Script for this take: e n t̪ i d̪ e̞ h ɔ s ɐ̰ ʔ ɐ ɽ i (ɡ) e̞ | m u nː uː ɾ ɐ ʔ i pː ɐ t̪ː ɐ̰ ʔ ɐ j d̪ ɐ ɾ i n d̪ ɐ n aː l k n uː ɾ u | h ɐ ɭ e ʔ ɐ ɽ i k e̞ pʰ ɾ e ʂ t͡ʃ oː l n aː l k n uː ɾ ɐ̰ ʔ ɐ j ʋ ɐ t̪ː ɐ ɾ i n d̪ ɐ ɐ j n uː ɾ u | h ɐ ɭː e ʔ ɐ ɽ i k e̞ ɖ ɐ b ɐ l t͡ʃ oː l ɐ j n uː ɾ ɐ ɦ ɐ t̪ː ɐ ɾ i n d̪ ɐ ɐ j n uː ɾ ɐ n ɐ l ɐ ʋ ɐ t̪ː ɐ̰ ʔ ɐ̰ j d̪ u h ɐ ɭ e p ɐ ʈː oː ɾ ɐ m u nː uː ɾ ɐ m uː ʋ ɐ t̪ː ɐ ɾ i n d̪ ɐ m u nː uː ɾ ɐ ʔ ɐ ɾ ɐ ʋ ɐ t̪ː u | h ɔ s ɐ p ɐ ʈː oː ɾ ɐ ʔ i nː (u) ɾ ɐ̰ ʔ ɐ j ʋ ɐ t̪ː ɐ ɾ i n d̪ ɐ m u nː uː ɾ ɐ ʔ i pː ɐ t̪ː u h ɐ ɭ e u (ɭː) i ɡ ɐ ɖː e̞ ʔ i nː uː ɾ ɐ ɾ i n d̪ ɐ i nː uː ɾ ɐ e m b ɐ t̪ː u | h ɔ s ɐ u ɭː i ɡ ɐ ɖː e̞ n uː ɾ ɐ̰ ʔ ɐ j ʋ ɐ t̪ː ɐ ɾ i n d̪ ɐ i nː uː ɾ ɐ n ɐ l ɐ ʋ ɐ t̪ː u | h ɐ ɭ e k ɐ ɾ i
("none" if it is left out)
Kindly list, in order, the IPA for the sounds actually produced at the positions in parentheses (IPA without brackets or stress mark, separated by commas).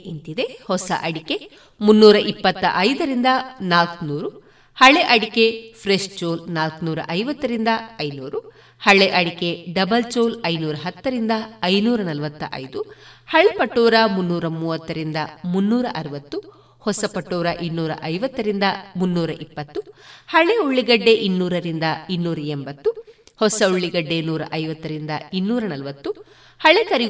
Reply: k, uː, ɭː